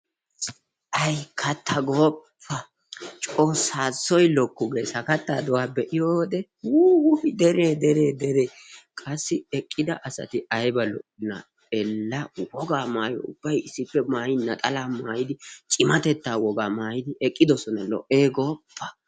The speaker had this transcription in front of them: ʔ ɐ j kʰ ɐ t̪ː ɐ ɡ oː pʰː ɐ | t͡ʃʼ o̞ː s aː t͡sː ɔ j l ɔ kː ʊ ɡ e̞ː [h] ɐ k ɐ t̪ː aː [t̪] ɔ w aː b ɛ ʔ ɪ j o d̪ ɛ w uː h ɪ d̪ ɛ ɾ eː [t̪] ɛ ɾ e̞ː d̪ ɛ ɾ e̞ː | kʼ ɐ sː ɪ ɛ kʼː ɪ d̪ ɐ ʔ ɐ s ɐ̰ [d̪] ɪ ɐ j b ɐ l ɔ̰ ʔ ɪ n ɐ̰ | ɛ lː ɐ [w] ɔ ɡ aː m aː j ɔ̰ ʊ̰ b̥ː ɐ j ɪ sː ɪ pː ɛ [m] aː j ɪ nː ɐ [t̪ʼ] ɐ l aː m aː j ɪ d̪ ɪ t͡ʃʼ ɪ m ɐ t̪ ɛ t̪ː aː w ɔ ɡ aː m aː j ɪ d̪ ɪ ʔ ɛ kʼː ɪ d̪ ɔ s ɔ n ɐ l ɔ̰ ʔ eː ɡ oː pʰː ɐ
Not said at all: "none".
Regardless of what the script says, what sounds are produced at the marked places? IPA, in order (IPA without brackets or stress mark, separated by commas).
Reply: s, d̪, d̪, t̪, w, m, t̪ʼ